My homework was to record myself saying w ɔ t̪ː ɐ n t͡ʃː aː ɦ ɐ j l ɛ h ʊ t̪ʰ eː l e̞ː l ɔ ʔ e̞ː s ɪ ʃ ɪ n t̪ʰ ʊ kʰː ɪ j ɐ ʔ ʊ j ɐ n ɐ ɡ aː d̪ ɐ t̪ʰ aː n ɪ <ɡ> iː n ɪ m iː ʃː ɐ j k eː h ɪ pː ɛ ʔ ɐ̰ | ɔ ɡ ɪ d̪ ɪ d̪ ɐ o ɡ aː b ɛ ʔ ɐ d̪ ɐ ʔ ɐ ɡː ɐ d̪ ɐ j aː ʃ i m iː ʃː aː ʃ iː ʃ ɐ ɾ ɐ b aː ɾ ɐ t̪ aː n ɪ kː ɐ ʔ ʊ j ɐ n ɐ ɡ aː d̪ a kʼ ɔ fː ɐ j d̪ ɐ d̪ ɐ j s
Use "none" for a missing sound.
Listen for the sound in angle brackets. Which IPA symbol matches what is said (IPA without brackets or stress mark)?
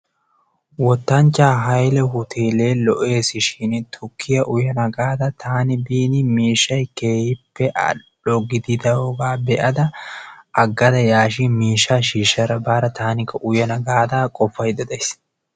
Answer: b